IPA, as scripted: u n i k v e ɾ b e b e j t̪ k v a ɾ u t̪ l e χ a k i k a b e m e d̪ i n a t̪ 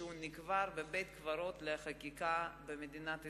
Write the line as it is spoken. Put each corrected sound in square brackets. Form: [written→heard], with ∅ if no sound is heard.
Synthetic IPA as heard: u n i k v [e→a] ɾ b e b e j t̪ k v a ɾ [u→o] t̪ l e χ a k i k a b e m e d̪ i n a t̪